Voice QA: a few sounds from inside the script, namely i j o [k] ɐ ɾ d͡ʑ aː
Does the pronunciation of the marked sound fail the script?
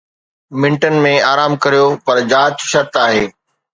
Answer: yes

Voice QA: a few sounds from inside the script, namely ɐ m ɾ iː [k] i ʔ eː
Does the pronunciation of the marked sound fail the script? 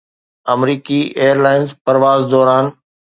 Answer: no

